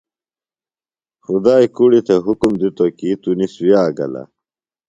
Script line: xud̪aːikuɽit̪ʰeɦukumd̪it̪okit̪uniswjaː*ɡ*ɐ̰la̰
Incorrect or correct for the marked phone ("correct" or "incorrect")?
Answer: correct